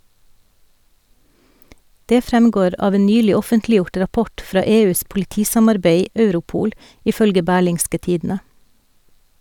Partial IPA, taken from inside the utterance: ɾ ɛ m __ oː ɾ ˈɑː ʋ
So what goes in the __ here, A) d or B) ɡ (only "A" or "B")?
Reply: B